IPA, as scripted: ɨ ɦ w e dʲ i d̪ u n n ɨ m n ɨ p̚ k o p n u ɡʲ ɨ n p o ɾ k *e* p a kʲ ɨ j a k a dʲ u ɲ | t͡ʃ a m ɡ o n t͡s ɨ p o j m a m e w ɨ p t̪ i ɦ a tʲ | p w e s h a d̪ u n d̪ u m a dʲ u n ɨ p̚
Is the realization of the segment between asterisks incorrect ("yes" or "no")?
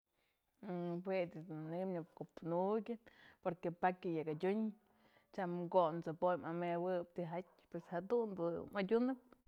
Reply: no